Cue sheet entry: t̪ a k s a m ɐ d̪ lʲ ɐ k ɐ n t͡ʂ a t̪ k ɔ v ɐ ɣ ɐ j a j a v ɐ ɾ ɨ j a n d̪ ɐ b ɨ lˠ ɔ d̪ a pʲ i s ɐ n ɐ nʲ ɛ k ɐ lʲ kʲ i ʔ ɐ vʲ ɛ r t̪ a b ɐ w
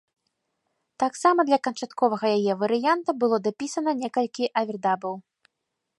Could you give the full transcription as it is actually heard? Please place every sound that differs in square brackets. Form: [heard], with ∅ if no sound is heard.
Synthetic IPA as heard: t̪ a k s a m ɐ d̪ lʲ ɐ k ɐ n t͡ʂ a t̪ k ɔ v ɐ ɣ ɐ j a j [ɛ] v ɐ ɾ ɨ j a n [t̪] ɐ b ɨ lˠ ɔ d̪ a pʲ i s ɐ n ɐ nʲ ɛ k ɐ lʲ kʲ i ʔ ɐ vʲ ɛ r [d̪] a b ɐ w